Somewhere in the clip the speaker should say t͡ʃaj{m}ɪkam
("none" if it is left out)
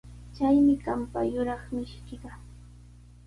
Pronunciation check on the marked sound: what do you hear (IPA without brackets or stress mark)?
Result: m